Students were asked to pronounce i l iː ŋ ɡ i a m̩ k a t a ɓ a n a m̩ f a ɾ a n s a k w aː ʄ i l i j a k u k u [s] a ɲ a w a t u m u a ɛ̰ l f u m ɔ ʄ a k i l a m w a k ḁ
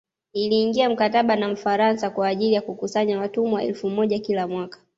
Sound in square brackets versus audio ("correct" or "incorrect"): correct